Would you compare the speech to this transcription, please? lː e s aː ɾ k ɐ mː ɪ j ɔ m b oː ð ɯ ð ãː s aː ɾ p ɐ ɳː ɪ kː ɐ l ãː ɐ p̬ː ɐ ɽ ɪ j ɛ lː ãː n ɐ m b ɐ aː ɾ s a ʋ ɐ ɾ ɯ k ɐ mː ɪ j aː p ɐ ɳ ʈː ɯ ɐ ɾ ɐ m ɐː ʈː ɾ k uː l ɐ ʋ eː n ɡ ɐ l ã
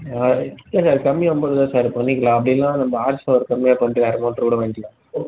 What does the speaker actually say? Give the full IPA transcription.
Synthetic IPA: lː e s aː ɾ k ɐ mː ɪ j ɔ m b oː ð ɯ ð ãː s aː ɾ p ɐ ɳː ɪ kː ɐ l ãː ɐ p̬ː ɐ ɽ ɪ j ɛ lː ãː n ɐ m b ɐ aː ɾ s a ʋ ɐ ɾ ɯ k ɐ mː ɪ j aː p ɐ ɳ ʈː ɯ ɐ ɾ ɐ m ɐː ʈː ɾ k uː ɽ ɐ ʋ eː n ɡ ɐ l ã